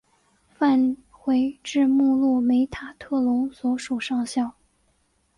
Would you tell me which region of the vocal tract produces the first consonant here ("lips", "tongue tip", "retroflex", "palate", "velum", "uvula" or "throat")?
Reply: lips